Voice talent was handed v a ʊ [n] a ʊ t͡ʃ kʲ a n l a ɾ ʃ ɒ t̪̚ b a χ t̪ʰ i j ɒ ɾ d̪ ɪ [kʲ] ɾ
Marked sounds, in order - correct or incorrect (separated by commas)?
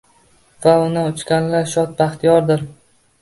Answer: correct, incorrect